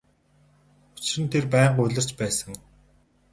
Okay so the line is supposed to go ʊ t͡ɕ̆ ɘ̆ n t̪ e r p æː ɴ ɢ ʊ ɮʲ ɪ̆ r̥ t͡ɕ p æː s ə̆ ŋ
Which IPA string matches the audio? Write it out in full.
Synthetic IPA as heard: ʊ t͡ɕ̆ ɘ̆ n t̪ʰ e r p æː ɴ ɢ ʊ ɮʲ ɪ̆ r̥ t͡ɕ p æː s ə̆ ŋ